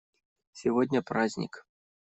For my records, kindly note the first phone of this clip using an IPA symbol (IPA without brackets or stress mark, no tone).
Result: sʲ